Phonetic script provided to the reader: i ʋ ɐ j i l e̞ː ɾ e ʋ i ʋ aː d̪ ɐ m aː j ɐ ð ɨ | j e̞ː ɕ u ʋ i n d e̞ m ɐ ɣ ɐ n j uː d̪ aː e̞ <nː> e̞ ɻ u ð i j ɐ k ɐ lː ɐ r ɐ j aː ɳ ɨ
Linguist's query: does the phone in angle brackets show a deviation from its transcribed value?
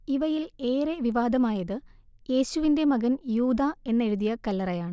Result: no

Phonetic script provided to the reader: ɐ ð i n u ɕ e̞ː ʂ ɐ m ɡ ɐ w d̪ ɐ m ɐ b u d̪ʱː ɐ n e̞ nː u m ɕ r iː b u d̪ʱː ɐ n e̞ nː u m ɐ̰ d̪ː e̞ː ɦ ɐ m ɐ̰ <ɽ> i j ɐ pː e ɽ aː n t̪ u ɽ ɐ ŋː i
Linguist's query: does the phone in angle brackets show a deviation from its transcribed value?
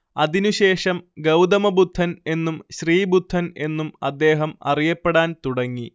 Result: yes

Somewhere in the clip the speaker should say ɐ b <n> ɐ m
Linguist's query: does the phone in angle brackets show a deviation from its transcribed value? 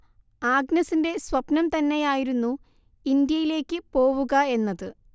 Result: no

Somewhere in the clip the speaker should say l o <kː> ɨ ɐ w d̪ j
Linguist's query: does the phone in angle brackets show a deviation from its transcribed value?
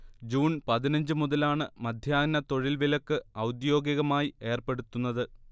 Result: no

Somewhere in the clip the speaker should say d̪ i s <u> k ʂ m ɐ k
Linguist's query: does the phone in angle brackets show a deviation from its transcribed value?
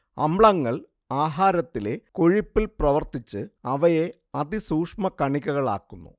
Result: yes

